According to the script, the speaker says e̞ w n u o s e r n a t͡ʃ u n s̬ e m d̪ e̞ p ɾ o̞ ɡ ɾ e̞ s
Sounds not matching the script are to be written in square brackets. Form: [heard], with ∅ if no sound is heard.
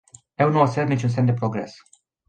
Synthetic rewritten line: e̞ w n u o s e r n [i] t͡ʃ u n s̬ e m d̪ e̞ p ɾ o̞ ɡ ɾ e̞ s

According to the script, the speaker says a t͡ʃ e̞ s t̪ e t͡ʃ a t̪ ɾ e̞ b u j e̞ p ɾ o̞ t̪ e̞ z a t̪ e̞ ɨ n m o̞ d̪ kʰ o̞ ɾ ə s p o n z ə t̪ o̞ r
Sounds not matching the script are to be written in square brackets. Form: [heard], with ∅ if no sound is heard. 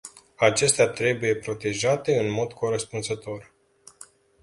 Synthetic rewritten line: a t͡ʃ e̞ s t̪ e [∅] a t̪ ɾ e̞ b u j e̞ p ɾ o̞ t̪ e̞ [ʒ] a t̪ e̞ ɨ n m o̞ d̪ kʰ o̞ ɾ ə s p [u] n z ə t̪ o̞ r

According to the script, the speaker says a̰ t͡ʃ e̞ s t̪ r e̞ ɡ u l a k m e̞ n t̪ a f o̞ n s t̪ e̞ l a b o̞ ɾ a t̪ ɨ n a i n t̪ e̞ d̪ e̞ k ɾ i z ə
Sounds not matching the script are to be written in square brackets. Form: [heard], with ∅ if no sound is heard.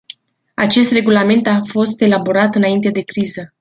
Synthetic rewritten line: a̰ t͡ʃ e̞ s t̪ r e̞ ɡ u l a [∅] m e̞ n t̪ a f o̞ [∅] s t̪ e̞ l a b o̞ ɾ a t̪ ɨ n a i n t̪ e̞ d̪ e̞ k ɾ i z ə

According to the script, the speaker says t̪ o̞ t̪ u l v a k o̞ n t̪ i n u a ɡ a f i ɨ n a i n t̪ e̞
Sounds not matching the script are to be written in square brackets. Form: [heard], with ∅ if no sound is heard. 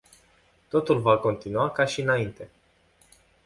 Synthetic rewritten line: t̪ o̞ t̪ u l v a k o̞ n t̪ i n u a [k] a [ʃ] i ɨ n a i n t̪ e̞

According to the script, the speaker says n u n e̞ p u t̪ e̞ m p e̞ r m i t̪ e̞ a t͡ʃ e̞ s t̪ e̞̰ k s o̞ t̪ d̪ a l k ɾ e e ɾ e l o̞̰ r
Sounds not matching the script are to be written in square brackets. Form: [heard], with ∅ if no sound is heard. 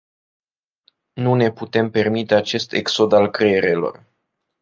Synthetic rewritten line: n u n e̞ p u t̪ e̞ m p e̞ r m i t̪ e̞ a t͡ʃ e̞ s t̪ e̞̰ k s o̞ [∅] d̪ a l k ɾ e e ɾ e l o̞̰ r

